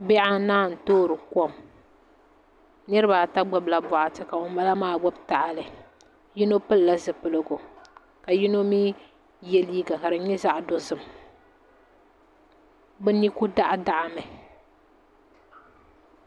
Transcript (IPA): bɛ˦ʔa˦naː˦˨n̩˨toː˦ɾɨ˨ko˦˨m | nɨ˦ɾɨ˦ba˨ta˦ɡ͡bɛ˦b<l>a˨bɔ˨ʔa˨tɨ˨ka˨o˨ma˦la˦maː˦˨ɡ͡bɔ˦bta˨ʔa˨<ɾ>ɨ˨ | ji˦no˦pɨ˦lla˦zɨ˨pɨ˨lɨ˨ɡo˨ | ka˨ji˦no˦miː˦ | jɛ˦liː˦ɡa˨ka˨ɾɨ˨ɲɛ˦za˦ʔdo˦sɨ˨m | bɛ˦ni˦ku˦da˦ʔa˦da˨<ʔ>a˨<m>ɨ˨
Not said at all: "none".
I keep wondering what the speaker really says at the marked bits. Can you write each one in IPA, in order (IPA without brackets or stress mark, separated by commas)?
l, l, ʔ, m